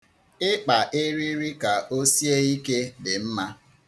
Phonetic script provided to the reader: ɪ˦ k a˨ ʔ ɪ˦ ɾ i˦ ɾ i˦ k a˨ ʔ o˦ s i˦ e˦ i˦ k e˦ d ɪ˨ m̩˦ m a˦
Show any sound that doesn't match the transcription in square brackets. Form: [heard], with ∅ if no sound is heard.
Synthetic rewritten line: ɪ˦ [k͡p] a˨ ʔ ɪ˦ ɾ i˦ ɾ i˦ k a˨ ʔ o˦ s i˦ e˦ i˦ k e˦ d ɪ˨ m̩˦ m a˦